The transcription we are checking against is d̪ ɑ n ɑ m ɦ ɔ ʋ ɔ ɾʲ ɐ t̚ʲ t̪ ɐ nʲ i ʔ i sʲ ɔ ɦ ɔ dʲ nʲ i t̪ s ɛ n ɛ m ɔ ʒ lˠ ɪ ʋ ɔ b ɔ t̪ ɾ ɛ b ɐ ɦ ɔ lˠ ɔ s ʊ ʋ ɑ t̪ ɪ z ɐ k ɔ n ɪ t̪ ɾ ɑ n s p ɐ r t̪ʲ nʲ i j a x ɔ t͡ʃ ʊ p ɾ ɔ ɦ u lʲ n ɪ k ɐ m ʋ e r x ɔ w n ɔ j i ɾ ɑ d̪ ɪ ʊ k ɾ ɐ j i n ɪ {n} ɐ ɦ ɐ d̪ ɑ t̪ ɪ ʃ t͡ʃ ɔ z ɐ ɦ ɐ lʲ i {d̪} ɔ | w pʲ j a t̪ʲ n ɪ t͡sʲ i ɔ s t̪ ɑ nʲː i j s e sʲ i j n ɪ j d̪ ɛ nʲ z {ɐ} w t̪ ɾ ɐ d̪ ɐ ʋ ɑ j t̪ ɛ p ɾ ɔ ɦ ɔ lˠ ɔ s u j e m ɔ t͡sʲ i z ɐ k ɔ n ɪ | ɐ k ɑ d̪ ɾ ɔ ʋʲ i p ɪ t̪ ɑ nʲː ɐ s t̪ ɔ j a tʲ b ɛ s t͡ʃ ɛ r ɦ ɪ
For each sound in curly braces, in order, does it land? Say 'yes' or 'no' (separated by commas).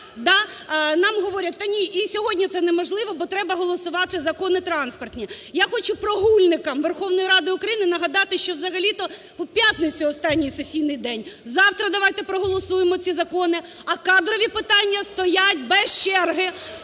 yes, no, no